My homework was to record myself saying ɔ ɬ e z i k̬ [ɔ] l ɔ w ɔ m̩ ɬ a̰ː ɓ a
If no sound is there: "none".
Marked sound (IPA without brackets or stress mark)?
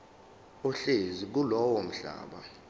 u